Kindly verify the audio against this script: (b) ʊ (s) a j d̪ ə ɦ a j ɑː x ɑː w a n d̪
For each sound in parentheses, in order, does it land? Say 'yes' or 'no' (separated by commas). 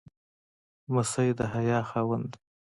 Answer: no, yes